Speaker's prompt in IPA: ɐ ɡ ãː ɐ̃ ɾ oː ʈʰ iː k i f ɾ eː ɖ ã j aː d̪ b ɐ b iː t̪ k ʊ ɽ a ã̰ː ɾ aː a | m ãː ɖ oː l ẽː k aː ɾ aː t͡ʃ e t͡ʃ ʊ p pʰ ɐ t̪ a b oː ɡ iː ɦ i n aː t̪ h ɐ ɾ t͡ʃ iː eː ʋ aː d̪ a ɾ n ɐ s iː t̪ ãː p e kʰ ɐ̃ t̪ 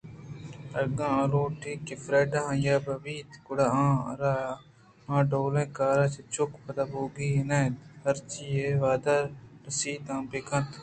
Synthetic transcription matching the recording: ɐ ɡ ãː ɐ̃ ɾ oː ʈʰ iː k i f ɾ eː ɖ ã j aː b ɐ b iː t̪ k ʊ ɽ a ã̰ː ɾ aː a | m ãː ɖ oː l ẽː k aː ɾ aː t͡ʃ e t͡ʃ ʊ k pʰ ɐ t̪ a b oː ɡ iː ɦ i n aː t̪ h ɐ ɾ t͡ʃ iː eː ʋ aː d̪ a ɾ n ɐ s iː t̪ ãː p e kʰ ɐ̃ t̪

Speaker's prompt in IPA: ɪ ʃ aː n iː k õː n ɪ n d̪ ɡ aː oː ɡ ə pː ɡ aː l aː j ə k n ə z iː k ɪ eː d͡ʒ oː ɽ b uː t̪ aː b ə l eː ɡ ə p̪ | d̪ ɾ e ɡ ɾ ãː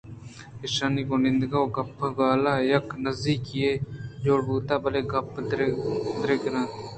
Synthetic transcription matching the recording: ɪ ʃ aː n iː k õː n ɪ n d̪ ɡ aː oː ɡ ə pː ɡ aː l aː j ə k n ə z iː k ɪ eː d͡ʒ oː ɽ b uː t̪ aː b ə l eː ɡ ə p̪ | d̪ ɾ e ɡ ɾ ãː

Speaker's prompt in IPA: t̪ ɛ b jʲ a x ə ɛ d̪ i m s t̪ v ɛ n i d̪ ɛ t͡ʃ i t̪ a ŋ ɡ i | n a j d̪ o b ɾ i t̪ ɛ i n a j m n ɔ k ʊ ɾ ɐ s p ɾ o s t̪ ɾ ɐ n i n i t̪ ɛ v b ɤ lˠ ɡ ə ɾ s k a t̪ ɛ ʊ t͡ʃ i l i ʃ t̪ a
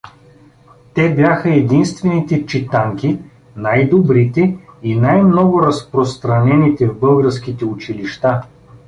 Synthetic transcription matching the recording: t̪ ɛ b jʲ a x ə ɛ d̪ i n s t̪ v ɛ n i t̪ ɛ t͡ʃ i t̪ a ŋ k i | n a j d̪ o b ɾ i t̪ ɛ i n a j m n ɔ ɡ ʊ ɾ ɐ s p ɾ o s t̪ ɾ ɐ n ɛ n i t̪ ɛ v b ɤ lˠ ɡ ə ɾ s k i t̪ ɛ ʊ t͡ʃ i l i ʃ t̪ a

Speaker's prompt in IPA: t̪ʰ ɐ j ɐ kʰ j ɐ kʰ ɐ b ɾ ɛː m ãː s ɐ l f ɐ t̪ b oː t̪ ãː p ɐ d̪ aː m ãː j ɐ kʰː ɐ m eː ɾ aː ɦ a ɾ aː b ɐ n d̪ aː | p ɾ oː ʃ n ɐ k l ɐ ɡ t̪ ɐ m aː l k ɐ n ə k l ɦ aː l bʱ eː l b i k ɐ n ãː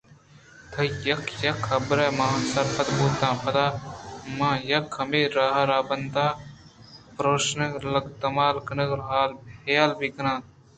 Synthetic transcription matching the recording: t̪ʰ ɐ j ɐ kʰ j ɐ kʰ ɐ b ɾ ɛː m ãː s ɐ ɾ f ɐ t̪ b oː t̪ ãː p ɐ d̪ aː m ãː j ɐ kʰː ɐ m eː ɾ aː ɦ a ɾ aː b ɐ n d̪ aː | p ɾ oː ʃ n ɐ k l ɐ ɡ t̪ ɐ m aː l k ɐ n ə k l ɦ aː l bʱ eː l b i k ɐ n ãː

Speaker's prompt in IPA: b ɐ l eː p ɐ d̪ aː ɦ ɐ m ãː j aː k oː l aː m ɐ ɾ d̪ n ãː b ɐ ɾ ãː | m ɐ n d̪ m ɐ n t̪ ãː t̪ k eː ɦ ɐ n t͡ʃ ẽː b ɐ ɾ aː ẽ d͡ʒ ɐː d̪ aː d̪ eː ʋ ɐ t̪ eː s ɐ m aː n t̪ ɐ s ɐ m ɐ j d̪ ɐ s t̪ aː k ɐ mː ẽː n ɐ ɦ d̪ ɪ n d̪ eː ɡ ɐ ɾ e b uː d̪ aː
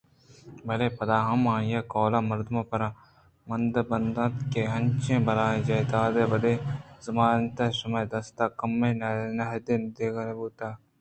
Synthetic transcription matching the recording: b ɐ l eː p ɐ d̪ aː ɦ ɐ m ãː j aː k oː l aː m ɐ ɾ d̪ m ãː p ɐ ɾ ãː | m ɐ n d̪ b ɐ n d̪ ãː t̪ k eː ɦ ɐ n t͡ʃ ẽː b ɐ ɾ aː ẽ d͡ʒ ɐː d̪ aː d̪ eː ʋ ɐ d̪ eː z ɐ m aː n t̪ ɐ s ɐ m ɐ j d̪ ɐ s t̪ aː k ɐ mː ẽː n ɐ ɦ d̪ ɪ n d̪ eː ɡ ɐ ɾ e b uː t̪ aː

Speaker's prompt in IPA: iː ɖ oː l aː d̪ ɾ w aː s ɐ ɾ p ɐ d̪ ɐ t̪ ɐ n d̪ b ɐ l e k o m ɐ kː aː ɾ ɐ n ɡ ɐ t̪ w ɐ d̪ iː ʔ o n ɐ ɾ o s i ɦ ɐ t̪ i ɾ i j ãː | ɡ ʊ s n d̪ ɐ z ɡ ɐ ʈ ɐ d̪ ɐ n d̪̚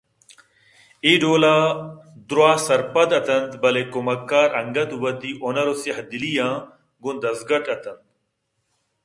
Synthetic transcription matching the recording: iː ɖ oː l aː d̪ ɾ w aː s ɐ ɾ p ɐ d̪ ɐ t̪ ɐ n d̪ b ɐ l e k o m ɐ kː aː ɾ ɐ ŋ ɡ ɐ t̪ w ɐ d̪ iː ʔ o n ɐ ɾ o s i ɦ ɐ d̪ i l i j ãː | ɡ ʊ n d̪ ɐ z ɡ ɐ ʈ ɐ t̪ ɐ n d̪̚

